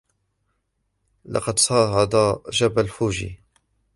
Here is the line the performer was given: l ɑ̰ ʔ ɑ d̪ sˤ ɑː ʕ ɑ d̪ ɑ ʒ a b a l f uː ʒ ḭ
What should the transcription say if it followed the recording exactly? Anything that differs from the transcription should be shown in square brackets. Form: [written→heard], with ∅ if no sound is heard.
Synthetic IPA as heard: l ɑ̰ [ʔ→q] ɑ d̪ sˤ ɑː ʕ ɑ d̪ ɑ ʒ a b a l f uː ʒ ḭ